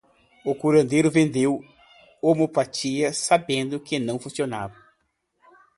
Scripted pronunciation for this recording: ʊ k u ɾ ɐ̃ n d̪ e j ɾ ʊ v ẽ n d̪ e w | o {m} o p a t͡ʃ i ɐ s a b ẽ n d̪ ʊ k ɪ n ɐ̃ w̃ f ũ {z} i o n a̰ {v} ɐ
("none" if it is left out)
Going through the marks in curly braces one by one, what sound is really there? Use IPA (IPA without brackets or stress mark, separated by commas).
m, s, v